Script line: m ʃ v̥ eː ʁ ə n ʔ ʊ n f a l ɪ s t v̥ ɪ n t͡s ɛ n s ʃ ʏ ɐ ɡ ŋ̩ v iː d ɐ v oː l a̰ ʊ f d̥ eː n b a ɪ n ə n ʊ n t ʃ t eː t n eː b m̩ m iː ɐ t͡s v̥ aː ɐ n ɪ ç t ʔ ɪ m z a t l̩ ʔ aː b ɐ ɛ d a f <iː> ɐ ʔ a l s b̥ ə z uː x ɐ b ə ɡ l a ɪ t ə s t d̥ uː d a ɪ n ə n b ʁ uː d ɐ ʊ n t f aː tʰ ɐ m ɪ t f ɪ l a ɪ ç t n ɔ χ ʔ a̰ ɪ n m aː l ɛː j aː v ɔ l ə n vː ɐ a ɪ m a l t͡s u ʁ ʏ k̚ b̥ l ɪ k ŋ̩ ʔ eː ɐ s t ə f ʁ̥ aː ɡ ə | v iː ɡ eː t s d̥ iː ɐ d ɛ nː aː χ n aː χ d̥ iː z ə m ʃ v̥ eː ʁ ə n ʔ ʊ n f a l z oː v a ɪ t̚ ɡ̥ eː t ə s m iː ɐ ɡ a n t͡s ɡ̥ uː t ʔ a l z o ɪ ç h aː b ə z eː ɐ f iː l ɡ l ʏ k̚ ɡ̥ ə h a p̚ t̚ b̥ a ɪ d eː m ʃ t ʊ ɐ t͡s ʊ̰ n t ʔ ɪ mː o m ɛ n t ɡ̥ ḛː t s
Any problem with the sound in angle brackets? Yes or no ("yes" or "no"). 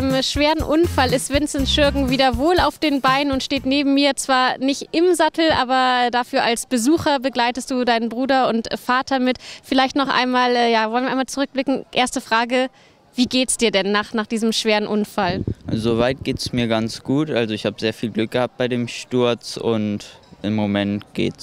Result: yes